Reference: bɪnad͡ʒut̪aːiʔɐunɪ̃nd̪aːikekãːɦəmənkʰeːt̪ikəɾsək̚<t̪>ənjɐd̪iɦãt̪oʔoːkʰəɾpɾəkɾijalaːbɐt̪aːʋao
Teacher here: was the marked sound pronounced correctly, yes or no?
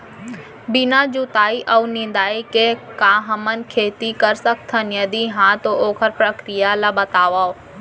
no